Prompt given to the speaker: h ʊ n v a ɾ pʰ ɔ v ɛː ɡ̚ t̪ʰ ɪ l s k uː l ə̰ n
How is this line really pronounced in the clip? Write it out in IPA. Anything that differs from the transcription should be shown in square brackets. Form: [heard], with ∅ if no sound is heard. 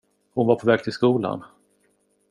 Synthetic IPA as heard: h ʊ n v a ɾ pʰ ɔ v ɛː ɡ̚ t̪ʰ ɪ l s k uː l [a̰] n

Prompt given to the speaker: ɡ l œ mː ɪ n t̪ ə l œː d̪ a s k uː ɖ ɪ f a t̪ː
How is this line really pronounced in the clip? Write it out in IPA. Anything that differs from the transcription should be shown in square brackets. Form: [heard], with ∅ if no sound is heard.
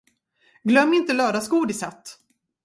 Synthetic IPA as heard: ɡ l œ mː ɪ n t̪ ə l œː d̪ a s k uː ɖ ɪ [s] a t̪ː

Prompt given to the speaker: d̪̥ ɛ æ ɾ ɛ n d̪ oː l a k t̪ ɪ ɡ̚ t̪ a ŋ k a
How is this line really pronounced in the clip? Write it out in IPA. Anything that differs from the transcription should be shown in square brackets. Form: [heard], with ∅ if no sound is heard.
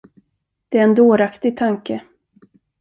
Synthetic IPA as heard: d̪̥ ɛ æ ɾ ɛ n d̪ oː [ɾ] a k t̪ ɪ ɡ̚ [t̪ʰ] a ŋ k [ə]

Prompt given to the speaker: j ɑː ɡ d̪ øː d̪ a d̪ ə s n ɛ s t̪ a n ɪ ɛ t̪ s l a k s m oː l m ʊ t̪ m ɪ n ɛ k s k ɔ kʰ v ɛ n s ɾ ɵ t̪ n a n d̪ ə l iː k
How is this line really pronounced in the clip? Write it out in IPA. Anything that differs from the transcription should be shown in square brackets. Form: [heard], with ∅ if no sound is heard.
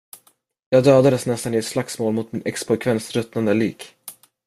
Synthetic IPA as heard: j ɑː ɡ d̪ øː d̪ a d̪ ə s n ɛ s t̪ a n ɪ ɛ t̪ s l a k s m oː l m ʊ t̪ m ɪ n ɛ k s [p] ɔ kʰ v ɛ n s ɾ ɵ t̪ n a n d̪ ə l iː k

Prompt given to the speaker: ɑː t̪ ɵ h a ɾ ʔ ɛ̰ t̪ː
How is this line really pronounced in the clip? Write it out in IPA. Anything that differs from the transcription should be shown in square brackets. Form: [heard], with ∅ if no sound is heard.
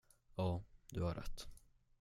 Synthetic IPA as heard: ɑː [d̪] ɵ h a ɾ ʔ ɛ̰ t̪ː

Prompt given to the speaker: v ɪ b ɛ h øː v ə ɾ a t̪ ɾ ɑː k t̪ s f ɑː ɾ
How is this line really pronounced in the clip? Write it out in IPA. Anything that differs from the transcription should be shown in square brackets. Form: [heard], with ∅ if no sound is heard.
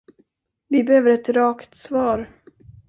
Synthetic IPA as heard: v ɪ b ɛ h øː v ə ɾ [ɛ] t̪ ɾ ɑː k t̪ s [v] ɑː ɾ

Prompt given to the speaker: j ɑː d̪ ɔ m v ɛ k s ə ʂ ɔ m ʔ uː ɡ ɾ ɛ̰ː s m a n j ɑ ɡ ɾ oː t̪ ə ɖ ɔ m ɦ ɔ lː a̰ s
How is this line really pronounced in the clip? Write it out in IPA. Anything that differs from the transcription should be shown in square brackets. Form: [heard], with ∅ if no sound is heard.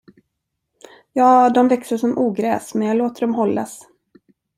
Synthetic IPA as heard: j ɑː d̪ ɔ m v ɛ k s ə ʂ ɔ m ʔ uː ɡ ɾ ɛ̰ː s m [ɛ] n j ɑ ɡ [l] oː t̪ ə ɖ ɔ m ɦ ɔ lː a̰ s

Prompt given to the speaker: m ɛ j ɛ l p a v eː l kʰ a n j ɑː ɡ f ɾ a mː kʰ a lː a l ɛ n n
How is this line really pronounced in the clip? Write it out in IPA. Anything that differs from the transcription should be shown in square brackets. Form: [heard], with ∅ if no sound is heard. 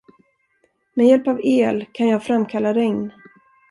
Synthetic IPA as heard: m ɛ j ɛ l p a v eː l kʰ a n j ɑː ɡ f ɾ a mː kʰ a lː a [ɾ] ɛ [ŋ] n

